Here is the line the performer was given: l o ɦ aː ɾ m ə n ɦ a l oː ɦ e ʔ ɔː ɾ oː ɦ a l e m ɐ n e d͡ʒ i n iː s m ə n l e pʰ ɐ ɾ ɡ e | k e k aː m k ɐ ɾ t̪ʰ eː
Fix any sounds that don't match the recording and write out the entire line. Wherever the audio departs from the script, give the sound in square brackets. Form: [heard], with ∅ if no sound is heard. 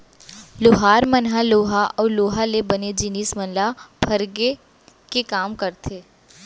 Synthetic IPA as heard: l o ɦ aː ɾ m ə n ɦ a l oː ɦ [a] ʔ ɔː [l] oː ɦ a l e [b] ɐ n e d͡ʒ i n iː s m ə n l [a] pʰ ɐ ɾ ɡ e | k e k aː m k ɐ ɾ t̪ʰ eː